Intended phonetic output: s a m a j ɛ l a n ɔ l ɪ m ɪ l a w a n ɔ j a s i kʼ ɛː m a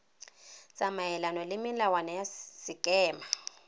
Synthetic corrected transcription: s a m a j ɛ l a n ɔ l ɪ m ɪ l a w a n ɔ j a s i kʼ ɛː m a